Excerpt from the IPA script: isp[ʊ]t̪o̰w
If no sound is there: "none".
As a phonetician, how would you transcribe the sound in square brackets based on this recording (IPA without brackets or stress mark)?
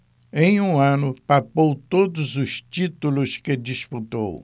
u